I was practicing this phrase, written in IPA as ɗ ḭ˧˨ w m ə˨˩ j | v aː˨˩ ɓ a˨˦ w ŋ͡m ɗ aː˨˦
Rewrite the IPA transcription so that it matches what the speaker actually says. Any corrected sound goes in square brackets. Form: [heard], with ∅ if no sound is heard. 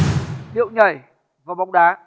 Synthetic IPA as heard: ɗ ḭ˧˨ w [ɲ] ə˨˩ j | v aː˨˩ ɓ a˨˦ w ŋ͡m ɗ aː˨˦